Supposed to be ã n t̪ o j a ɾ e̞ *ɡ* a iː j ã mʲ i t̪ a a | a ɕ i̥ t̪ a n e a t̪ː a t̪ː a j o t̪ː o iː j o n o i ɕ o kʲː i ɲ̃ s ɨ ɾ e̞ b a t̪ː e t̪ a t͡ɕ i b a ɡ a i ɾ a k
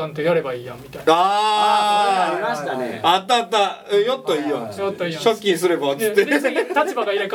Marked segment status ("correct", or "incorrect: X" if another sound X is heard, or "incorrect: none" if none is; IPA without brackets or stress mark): incorrect: b